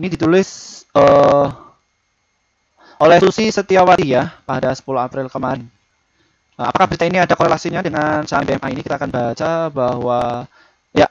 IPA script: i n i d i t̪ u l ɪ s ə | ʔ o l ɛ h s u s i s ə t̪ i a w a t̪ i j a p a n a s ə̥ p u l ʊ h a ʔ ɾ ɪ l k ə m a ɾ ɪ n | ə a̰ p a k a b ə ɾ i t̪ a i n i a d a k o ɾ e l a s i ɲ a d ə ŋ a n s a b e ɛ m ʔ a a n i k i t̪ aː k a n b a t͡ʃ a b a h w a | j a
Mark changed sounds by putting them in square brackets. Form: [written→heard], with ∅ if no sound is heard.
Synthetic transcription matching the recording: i n i d i t̪ u l ɪ s ə | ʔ o l ɛ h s u s i s ə t̪ i a w a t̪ i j a p a [n→d] a s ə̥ p u l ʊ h a [ʔ→p] ɾ ɪ l k ə m a ɾ ɪ n | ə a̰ p a k a b ə ɾ i t̪ a i n i a d a k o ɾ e l a s i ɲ a d ə ŋ a n s a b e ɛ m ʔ a [a→i] n i k i t̪ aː k a n b a t͡ʃ a b a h w a | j a

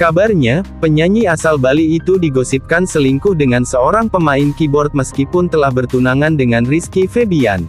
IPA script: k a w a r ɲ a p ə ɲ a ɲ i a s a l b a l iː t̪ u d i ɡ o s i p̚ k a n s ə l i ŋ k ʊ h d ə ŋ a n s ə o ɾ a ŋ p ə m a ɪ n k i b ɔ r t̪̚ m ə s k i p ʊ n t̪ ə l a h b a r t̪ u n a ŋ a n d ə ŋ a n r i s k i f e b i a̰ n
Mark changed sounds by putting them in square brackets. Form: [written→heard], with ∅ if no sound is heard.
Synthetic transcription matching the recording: k a [w→b] a r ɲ a p ə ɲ a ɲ i a s a l b a l iː t̪ u d i ɡ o s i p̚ k a n s ə l i ŋ k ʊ h d ə ŋ a n s ə o ɾ a ŋ p ə m a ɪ n k i b ɔ r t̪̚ m ə s k i p ʊ n t̪ ə l a h b [a→ə] r t̪ u n a ŋ a n d ə ŋ a n r i s k i f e b i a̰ n

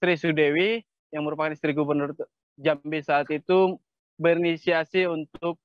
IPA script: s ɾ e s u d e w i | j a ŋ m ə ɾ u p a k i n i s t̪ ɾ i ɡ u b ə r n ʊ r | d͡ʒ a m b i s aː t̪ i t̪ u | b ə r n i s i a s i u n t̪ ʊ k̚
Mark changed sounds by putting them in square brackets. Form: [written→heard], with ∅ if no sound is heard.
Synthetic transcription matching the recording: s ɾ [e→i] s u d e w i | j a ŋ m ə ɾ u p a k [i→a] n i s t̪ ɾ i ɡ u b ə r n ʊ r | d͡ʒ a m b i s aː t̪ i t̪ u | b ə r n i s i a s i u n t̪ ʊ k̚

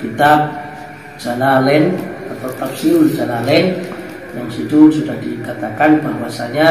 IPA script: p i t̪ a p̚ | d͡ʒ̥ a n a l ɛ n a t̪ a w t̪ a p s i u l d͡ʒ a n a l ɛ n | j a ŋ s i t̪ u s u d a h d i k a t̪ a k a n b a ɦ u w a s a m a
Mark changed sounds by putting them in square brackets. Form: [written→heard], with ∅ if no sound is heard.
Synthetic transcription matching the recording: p i t̪ a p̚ | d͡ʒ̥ a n a l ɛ n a t̪ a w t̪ a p s i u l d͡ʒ a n a l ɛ n | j a ŋ s i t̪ u s u d a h d i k a t̪ a k a n b a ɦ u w a s a [m→ɲ] a

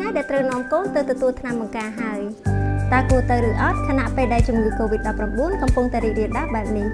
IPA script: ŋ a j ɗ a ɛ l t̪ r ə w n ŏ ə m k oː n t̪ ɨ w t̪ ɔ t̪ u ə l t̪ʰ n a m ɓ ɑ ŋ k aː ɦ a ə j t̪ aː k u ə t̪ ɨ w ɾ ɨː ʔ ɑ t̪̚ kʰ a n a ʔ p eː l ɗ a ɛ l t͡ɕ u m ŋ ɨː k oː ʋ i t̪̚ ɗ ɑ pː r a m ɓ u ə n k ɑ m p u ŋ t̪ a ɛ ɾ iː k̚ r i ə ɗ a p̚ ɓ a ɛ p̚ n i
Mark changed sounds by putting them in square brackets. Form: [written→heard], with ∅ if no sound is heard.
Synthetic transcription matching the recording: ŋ a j ɗ a ɛ l t̪ r ə w n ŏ ə m k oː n t̪ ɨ w t̪ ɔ t̪ u ə l t̪ʰ n a m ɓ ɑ ŋ k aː ɦ a ə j t̪ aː k u ə t̪ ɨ w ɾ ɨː ʔ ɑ t̪̚ kʰ a n a ʔ p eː l ɗ a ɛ l t͡ɕ u m ŋ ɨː k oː ʋ i t̪̚ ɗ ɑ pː r a m ɓ u ə n k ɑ m p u ŋ t̪ a ɛ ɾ iː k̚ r i ə ɗ a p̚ ɓ a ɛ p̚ n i

